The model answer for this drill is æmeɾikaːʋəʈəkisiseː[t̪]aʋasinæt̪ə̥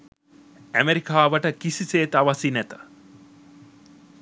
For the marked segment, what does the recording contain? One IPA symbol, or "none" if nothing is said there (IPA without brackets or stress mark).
t̪